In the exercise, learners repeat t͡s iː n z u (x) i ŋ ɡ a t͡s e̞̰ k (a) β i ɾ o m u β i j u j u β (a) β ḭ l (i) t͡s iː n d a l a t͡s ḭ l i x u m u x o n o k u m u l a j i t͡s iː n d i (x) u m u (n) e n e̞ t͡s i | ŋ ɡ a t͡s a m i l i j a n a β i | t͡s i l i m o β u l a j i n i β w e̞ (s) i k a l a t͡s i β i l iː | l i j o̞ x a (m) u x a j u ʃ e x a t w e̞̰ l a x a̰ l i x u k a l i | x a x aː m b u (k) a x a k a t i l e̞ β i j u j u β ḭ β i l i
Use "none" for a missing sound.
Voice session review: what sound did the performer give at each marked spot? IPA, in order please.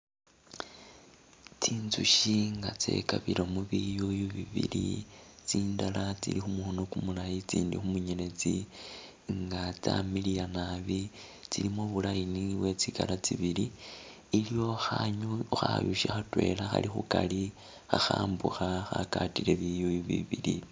ʃ, a, i, i, x, ɲ, t͡s, ɲ, x

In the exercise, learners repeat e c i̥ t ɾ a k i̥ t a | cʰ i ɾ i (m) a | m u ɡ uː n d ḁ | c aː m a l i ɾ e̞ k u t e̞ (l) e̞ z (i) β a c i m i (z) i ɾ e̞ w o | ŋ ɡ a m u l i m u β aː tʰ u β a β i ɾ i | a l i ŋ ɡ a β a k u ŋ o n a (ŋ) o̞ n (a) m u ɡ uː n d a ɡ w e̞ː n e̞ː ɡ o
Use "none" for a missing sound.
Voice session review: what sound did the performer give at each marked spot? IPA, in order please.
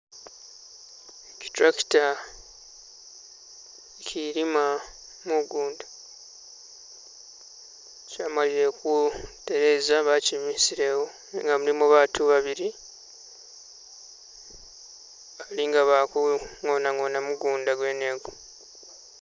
m, ɾ, a, s, ŋ, a

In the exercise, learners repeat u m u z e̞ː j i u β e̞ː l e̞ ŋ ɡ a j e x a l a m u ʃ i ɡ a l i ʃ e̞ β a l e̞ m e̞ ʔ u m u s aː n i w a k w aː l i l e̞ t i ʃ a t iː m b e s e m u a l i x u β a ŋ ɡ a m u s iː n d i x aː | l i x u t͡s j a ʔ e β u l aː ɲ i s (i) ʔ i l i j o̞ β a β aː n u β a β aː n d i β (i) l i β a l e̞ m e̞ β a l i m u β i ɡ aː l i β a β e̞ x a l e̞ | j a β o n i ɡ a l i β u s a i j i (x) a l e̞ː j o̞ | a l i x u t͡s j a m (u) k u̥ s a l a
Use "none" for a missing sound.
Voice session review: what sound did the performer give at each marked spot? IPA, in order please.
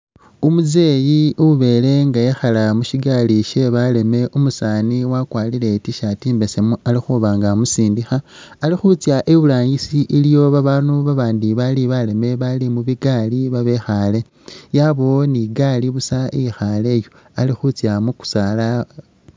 i, a, x, u

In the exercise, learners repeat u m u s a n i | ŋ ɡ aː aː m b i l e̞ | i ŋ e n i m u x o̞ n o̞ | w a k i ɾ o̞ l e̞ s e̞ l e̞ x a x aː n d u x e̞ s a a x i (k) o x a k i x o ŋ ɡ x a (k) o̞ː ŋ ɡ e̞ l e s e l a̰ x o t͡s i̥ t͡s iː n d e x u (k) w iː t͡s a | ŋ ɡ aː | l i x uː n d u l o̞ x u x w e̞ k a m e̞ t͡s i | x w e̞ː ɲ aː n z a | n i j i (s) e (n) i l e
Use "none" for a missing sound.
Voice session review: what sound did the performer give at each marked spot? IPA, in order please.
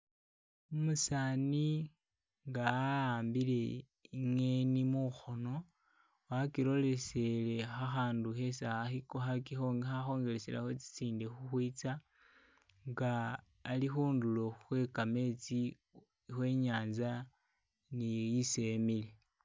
k, x, x, s, m

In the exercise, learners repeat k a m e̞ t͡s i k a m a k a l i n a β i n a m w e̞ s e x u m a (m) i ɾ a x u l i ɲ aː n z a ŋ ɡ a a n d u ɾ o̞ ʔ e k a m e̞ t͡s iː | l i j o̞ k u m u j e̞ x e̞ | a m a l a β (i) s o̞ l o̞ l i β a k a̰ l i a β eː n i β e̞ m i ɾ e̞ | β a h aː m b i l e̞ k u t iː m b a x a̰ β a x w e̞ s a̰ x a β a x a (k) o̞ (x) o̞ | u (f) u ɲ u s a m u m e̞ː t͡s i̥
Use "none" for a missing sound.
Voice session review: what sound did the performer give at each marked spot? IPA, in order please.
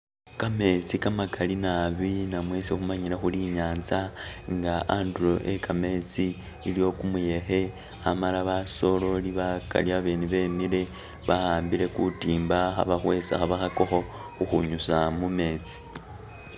ɲ, a, k, x, x

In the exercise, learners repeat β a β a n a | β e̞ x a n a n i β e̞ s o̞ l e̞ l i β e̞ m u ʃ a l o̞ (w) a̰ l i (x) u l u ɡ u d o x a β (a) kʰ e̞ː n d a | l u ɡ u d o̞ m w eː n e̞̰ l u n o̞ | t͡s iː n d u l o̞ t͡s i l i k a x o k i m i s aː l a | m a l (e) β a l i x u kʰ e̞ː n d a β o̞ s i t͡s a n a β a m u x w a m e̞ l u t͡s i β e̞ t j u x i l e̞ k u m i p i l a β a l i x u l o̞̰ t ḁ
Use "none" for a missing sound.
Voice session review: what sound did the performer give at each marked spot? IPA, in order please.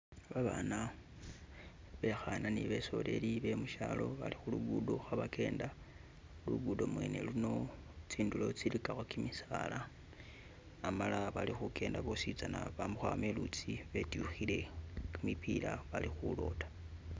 β, x, a, a

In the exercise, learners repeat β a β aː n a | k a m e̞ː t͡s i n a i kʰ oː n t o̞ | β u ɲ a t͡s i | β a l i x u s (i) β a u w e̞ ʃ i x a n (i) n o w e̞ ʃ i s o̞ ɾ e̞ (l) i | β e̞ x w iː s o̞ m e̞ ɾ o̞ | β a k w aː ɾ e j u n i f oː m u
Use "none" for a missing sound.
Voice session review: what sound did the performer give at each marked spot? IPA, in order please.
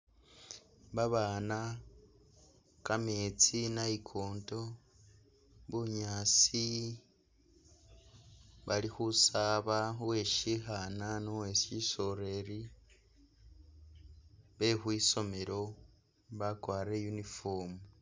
a, a, ɾ

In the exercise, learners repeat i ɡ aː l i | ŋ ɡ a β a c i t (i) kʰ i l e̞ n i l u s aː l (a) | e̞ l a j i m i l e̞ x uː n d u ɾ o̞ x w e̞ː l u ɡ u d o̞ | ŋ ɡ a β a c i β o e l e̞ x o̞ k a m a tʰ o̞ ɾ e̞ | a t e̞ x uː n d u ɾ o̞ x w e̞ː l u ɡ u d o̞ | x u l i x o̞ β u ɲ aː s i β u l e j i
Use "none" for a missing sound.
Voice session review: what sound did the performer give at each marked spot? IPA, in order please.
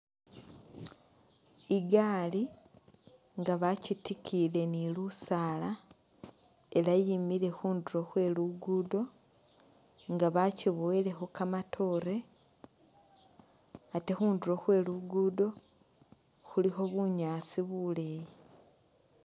i, a

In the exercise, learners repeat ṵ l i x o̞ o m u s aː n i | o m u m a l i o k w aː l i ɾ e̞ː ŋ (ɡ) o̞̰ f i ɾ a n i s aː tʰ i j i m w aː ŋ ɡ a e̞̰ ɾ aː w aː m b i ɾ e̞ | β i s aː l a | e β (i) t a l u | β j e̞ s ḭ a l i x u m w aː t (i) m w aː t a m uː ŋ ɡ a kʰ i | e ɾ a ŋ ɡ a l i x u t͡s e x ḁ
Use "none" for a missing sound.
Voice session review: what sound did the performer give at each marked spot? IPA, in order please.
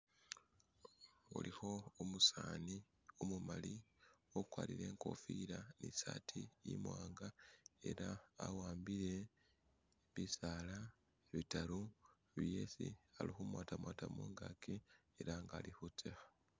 k, i, a

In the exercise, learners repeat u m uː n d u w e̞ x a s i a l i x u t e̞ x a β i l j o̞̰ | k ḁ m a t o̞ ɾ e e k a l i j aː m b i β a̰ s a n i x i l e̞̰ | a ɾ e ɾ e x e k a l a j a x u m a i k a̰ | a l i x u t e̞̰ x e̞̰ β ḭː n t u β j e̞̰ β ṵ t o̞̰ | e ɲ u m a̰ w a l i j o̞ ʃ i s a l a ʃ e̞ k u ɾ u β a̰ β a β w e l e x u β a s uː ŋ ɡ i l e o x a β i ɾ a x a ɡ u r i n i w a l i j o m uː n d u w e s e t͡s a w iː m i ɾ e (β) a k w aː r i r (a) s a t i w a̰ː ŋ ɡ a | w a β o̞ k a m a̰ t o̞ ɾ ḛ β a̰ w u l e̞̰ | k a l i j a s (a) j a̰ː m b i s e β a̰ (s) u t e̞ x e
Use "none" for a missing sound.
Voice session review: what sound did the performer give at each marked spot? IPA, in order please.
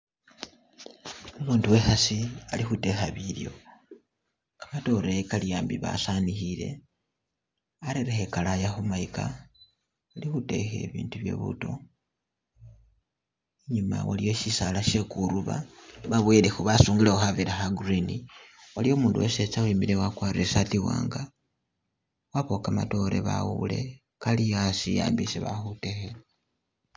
w, e, i, x

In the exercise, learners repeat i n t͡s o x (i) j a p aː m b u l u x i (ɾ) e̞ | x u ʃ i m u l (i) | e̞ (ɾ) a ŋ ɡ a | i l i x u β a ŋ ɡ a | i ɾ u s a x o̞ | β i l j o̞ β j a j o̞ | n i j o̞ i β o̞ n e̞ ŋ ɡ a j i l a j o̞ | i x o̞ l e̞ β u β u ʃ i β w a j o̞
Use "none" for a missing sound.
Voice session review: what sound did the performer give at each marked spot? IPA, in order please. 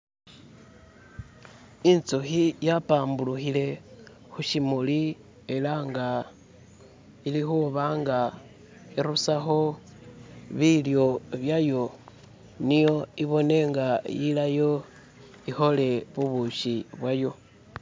i, l, i, l

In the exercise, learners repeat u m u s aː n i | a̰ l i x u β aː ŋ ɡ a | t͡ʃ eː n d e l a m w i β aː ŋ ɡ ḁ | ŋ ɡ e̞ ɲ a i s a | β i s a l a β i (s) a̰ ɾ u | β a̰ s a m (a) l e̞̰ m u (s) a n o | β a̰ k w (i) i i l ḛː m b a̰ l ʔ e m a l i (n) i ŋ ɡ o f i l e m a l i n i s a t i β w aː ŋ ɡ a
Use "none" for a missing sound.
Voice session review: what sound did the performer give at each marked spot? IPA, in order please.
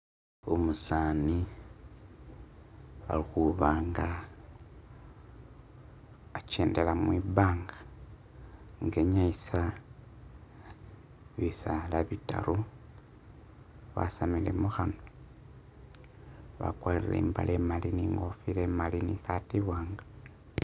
t, i, x, a, n

